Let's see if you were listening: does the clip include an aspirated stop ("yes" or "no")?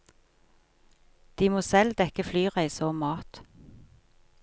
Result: no